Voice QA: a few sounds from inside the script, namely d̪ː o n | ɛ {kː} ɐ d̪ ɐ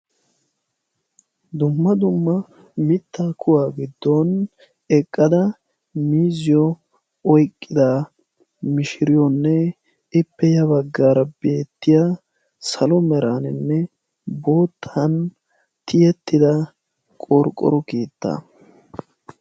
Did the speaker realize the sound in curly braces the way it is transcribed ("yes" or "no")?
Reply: no